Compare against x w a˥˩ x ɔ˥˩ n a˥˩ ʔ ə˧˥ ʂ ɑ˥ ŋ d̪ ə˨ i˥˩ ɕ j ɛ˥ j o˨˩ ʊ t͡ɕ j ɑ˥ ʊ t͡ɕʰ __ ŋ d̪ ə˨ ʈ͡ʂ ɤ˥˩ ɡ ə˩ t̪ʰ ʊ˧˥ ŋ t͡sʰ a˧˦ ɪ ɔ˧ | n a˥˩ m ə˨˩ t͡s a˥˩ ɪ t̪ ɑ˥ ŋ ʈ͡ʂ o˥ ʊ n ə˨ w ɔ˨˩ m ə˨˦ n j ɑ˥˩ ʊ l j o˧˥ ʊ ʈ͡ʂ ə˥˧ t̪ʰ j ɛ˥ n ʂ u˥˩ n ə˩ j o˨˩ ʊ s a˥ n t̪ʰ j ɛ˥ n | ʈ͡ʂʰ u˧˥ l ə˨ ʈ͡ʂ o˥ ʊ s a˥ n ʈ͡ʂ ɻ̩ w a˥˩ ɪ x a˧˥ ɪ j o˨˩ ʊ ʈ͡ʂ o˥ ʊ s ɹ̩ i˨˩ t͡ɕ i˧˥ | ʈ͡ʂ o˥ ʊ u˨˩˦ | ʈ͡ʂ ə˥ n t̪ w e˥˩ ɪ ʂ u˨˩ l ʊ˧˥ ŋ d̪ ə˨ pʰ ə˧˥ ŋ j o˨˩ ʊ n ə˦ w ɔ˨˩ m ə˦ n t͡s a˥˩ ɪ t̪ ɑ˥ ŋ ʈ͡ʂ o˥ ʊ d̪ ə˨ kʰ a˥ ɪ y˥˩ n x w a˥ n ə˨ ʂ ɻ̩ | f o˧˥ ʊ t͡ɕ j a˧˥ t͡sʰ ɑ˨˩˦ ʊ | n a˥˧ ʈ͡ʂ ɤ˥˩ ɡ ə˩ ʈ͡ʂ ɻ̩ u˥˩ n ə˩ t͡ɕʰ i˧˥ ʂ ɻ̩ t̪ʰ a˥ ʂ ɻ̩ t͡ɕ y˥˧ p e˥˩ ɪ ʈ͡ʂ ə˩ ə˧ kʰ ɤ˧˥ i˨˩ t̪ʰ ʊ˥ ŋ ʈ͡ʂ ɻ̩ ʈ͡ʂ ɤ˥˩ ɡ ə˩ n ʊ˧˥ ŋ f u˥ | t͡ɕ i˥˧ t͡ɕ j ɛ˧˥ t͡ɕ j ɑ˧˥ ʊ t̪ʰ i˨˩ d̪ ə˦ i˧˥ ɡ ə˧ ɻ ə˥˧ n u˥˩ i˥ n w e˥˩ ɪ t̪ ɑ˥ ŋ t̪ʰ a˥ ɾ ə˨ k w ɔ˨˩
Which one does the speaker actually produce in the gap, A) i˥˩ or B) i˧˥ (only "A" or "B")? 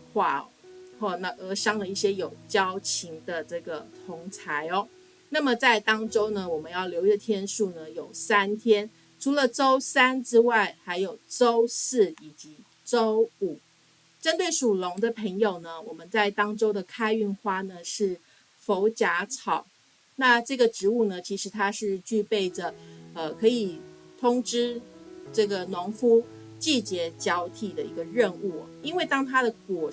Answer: B